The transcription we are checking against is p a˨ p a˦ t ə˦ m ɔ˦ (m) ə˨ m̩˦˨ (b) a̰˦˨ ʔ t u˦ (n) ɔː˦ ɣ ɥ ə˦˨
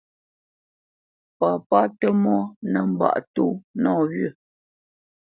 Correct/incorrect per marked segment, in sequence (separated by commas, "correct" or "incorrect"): incorrect, correct, correct